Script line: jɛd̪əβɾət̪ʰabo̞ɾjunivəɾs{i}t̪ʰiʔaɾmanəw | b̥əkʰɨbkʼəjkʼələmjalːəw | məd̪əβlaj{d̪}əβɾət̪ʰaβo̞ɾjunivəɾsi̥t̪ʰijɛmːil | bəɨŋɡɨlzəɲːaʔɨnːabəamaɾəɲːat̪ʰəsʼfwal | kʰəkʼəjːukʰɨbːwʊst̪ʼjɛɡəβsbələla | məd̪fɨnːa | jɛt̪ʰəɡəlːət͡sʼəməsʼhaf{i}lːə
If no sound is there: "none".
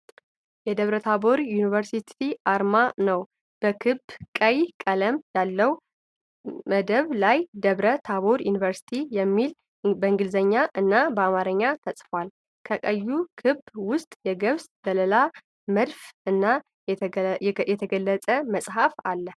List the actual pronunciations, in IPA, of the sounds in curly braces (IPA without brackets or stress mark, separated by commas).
i, d̪, a